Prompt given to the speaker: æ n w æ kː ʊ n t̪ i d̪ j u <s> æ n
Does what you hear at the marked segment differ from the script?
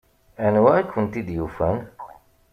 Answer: yes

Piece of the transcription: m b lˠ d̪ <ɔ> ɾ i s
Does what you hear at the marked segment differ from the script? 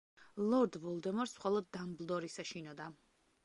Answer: no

